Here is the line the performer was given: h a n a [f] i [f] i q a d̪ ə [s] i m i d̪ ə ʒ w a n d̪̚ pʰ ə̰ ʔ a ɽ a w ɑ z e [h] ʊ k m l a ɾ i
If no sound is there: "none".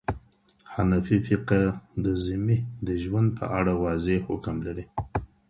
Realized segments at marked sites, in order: f, f, z, h

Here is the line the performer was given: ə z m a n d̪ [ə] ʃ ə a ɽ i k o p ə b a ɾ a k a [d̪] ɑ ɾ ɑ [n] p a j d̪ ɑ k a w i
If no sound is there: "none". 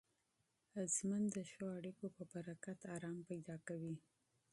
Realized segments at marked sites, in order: ə, t̪, m

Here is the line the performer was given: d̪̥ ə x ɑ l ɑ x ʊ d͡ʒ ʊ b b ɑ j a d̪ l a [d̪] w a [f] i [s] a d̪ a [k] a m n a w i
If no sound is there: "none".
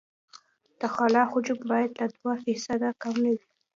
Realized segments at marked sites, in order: d̪, f, s, k

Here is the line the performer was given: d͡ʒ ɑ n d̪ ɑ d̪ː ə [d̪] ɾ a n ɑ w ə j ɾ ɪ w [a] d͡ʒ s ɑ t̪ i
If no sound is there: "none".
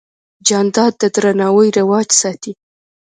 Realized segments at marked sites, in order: d̪, ɑ

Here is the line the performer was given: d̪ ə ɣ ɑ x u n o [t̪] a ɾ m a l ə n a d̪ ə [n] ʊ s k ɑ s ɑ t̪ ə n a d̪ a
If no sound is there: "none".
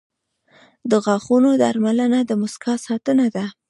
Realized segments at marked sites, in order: d̪, m

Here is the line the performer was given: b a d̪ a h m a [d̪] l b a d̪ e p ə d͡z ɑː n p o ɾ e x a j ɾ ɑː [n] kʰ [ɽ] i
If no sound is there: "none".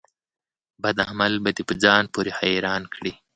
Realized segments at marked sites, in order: none, n, ɽ

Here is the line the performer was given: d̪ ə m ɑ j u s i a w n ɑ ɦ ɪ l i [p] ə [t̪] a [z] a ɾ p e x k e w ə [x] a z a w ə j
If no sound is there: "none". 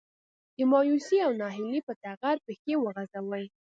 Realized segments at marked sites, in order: p, t̪, ɣ, ɣ

